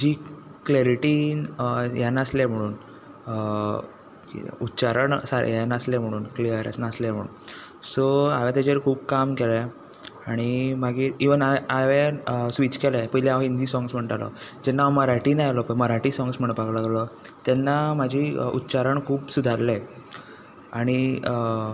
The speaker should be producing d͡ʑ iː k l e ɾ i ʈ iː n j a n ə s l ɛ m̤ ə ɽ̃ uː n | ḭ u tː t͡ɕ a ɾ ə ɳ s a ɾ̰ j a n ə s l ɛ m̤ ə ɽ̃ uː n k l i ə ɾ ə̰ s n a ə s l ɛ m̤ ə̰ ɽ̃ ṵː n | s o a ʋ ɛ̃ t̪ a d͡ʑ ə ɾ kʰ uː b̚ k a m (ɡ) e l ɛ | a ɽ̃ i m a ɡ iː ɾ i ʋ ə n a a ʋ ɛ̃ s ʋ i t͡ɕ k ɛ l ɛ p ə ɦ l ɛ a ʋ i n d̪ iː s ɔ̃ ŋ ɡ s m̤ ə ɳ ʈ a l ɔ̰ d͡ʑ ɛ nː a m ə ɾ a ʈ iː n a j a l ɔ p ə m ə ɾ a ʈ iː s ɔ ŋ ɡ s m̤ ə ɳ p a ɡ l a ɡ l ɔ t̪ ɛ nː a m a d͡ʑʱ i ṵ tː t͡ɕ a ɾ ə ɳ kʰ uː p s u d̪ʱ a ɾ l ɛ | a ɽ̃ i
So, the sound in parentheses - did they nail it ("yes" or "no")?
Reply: no